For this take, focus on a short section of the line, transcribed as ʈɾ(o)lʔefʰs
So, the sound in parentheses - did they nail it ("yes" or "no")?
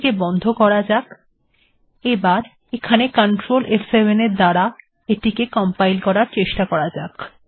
yes